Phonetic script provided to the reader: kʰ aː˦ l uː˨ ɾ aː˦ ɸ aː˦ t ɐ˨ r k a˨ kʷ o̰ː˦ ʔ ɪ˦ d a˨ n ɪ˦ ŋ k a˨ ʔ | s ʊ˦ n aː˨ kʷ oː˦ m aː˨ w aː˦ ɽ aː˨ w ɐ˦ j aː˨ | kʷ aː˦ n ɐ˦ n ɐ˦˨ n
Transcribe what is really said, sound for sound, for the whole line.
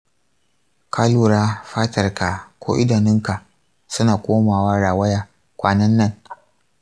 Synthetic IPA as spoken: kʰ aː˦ l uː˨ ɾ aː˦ ɸ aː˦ t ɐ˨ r k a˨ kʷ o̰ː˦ ʔ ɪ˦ d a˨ n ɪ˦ ŋ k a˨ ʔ | s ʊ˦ n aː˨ kʷ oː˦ m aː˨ w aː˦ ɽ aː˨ w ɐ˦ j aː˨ | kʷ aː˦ n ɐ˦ nː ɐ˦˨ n

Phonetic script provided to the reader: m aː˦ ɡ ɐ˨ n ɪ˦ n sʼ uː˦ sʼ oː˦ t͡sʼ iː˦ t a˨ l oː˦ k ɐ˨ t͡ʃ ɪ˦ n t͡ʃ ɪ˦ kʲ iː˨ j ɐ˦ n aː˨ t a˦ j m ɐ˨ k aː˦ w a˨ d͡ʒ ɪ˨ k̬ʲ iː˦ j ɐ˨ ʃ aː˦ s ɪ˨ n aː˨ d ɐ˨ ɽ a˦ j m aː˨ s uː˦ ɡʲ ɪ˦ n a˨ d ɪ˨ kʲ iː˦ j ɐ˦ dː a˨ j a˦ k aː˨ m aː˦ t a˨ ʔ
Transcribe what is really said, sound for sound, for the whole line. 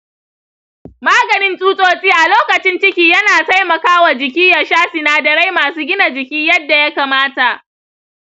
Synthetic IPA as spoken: m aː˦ ɡ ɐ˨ n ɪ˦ n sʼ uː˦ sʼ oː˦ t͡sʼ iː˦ ʔ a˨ l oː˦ k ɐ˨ t͡ʃ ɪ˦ n t͡ʃ ɪ˦ kʲ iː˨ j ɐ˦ n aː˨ t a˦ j m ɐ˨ k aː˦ w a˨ d͡ʒ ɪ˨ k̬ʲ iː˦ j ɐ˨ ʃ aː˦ s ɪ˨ n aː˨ d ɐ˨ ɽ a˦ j m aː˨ s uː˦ ɡʲ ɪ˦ n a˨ d͡ʒ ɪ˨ kʲ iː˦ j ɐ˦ dː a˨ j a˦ k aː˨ m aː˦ t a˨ ʔ

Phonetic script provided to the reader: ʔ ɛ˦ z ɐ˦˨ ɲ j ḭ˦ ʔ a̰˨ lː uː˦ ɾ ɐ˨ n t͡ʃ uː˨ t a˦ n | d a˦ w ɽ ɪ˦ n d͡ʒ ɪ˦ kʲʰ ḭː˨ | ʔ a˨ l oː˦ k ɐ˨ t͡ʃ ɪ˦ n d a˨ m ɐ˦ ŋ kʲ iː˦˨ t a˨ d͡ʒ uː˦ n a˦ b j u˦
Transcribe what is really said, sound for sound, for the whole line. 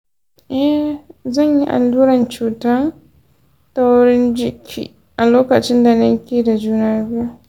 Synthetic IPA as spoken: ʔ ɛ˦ z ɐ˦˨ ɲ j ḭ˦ ʔ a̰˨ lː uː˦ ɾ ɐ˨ n t͡ʃ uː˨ t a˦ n | t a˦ w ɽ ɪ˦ n d͡ʒ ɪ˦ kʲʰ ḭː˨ | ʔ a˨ l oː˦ k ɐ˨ t͡ʃ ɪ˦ n d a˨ n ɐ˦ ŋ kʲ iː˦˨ d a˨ d͡ʒ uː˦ n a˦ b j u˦

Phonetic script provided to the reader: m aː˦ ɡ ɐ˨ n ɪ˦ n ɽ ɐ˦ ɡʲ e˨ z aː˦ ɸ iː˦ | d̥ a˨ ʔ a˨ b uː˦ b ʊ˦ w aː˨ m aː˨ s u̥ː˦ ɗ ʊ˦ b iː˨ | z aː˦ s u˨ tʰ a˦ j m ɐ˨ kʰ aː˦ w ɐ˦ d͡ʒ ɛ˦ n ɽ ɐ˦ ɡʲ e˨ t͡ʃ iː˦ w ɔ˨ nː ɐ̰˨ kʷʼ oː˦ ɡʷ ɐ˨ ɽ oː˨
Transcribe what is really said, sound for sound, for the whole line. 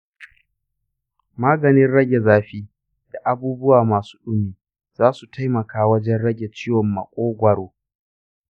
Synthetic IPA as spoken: m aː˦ ɡ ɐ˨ n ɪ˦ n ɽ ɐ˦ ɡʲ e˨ z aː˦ ɸ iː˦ | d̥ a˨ ʔ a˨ b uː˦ b ʊ˦ w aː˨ m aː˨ s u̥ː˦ ɗ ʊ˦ m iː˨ | z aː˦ s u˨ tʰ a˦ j m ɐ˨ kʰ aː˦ w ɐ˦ d͡ʒ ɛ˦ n ɽ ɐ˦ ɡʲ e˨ t͡ʃ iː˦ w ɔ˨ mː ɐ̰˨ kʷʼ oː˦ ɡʷ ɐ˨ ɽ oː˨

